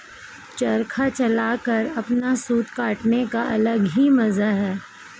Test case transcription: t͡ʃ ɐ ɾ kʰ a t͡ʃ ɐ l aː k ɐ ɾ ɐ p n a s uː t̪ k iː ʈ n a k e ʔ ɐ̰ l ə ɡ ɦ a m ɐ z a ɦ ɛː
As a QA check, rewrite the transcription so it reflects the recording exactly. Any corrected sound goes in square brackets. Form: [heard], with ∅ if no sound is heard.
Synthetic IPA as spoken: t͡ʃ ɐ ɾ kʰ a t͡ʃ ɐ l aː k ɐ ɾ ɐ p n a s uː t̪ k [aː] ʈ n [e] k [a] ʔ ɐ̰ l ə ɡ ɦ [i] m ɐ z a ɦ ɛː